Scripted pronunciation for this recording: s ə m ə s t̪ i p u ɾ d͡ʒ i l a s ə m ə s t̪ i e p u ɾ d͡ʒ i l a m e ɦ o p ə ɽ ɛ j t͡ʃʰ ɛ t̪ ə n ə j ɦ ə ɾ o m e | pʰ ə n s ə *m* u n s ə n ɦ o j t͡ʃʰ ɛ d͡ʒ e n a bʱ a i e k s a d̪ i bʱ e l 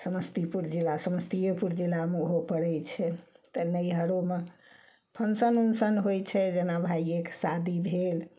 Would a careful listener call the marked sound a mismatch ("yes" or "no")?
yes